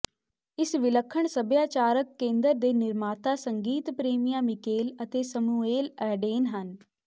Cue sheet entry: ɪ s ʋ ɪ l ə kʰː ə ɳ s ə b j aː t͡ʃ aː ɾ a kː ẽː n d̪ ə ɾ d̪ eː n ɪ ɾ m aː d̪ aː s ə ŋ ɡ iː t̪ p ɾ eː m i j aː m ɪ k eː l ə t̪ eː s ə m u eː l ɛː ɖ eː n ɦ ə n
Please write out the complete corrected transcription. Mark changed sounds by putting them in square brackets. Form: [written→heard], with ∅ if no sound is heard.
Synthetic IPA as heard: ɪ s ʋ ɪ l ə kʰː ə ɳ s ə b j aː t͡ʃ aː ɾ [a→ə] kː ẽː n d̪ ə ɾ d̪ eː n ɪ ɾ m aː [d̪→t̪] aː s ə ŋ ɡ iː t̪ p ɾ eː m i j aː m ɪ k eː l ə t̪ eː s ə m u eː l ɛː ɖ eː n ɦ ə n